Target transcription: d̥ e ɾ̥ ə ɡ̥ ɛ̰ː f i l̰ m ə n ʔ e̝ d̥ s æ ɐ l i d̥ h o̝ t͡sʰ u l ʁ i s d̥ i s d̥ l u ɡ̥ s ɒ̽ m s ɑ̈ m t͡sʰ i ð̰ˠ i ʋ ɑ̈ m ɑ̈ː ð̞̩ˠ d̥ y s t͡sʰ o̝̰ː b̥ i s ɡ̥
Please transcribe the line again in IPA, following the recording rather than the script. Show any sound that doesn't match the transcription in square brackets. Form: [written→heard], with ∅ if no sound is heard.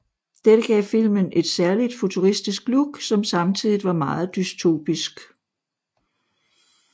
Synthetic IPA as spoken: d̥ e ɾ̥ ə ɡ̥ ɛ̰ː f i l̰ m ə n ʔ e̝ d̥ s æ ɐ l i d̥ [h→f] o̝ t͡sʰ u [l→∅] ʁ i s d̥ i s [d̥→ɡ̥] l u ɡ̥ s ɒ̽ m s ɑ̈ m t͡sʰ i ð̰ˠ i ʋ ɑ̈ m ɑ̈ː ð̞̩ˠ d̥ y s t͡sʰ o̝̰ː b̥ i s ɡ̥